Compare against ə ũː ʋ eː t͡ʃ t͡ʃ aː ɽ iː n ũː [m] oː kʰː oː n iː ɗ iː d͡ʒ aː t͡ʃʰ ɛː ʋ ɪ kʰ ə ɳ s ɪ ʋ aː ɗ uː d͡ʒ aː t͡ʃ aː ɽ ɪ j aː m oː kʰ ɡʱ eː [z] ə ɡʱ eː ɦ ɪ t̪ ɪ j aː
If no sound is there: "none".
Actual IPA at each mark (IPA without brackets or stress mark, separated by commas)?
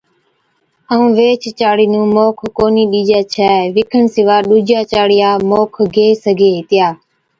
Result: m, s